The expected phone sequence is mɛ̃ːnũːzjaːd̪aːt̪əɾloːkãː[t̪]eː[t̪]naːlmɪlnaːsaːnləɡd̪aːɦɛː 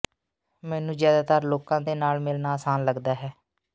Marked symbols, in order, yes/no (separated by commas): no, no